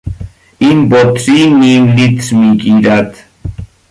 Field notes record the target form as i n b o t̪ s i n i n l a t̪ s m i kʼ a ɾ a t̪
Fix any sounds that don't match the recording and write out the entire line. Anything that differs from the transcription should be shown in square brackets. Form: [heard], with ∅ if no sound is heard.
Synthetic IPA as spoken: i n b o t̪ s i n i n l [i] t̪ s m i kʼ [i] ɾ a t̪

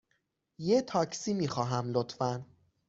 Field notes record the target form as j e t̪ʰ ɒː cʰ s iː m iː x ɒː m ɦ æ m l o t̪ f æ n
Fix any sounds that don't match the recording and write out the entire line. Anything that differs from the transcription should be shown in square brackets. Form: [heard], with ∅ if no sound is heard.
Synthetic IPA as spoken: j e t̪ʰ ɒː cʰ s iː m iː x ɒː [∅] ɦ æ m l o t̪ f æ n

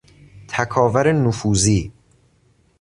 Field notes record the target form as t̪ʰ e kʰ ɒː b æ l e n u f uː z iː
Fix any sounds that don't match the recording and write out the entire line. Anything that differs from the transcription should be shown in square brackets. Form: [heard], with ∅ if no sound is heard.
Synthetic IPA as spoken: t̪ʰ [æ] kʰ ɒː [v] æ [ɾ] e n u f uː z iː

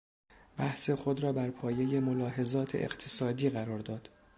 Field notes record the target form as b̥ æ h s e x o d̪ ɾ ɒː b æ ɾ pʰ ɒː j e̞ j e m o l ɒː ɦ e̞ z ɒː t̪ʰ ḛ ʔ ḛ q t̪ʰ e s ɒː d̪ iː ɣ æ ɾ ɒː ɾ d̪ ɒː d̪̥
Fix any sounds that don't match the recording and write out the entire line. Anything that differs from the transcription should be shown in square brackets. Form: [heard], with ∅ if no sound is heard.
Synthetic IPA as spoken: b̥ æ h s e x o d̪ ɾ ɒː b æ ɾ pʰ ɒː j e̞ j e m o l ɒː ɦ e̞ z ɒː t̪ʰ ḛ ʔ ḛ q t̪ʰ e s ɒː d̪ iː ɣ æ ɾ ɒː ɾ d̪ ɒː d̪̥

